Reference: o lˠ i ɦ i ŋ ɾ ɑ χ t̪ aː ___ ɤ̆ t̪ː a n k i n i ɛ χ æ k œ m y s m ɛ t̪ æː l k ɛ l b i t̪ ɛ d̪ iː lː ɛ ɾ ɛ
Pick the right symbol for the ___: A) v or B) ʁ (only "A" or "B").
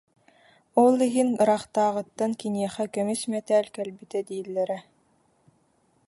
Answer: B